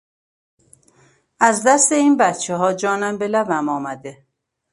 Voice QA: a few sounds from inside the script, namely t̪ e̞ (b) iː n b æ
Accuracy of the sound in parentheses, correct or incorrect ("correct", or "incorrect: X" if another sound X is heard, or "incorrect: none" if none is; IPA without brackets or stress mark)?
incorrect: none